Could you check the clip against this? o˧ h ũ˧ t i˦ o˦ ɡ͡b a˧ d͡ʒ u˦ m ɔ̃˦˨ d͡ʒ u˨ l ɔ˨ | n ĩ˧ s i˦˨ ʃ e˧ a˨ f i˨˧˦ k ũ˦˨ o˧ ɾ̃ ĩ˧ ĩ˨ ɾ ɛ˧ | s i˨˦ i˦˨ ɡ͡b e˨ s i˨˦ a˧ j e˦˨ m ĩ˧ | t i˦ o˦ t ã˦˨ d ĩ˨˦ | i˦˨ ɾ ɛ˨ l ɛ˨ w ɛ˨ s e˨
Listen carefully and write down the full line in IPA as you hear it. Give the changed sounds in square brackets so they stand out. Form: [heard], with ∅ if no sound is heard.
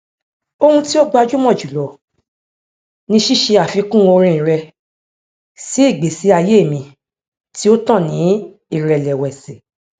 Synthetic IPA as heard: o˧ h ũ˧ t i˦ o˦ ɡ͡b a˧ d͡ʒ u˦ m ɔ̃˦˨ d͡ʒ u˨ l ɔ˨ | n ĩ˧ [ʃ] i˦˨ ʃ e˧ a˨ f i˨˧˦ k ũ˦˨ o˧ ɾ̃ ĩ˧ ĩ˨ ɾ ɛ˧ | s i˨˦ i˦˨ ɡ͡b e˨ s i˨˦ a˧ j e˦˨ m ĩ˧ | t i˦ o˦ t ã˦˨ [n] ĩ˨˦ | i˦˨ ɾ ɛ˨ l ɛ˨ w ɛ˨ s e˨